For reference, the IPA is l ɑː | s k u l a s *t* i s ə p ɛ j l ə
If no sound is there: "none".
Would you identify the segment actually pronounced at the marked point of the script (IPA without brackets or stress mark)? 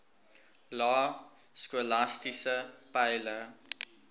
t